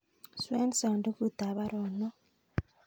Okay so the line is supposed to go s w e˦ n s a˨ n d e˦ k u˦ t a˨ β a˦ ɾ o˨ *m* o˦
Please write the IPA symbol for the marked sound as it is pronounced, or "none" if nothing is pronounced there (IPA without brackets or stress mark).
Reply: n